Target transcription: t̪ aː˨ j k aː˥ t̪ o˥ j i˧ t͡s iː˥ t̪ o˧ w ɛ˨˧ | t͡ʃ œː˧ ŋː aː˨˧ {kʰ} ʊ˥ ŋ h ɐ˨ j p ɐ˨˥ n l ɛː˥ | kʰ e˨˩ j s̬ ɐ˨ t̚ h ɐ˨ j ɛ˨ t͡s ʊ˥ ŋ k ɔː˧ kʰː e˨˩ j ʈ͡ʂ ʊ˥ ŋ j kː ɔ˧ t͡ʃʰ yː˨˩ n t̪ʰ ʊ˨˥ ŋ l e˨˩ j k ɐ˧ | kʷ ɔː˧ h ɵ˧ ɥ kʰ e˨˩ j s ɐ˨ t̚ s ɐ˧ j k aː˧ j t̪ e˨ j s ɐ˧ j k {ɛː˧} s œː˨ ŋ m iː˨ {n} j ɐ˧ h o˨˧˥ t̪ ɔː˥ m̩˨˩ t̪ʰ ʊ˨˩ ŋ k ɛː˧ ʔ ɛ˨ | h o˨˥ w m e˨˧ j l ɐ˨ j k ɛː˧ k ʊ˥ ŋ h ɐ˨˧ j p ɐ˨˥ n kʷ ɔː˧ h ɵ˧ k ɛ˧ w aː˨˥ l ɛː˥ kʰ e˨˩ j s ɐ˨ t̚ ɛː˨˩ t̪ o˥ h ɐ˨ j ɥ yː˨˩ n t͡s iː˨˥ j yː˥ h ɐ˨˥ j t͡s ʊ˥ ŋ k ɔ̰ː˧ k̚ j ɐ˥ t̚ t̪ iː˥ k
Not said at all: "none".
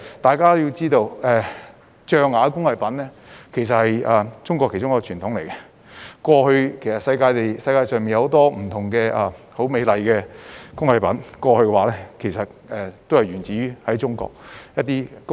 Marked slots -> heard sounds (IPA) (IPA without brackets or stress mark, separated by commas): k, aː˧, n